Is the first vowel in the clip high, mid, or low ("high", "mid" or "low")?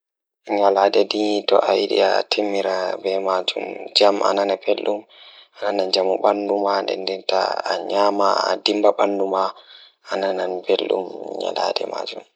low